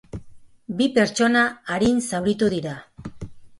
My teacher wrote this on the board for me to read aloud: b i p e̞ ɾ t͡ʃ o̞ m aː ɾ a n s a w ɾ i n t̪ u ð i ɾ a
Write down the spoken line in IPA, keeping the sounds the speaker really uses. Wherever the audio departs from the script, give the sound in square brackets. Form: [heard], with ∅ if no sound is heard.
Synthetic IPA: b i p e̞ ɾ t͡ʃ o̞ [n] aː ɾ [i] n s a w ɾ i [∅] t̪ u ð i ɾ a